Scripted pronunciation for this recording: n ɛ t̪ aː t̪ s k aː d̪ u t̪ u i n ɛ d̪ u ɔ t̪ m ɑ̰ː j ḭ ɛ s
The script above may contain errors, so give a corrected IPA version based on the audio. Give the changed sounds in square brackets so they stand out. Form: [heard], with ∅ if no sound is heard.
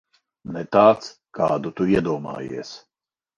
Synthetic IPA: n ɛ t̪ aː t̪ s k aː d̪ u t̪ u i [∅] ɛ d̪ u ɔ [∅] m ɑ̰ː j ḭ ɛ s